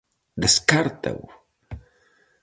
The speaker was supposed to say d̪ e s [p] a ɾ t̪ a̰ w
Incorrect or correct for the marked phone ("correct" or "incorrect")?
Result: incorrect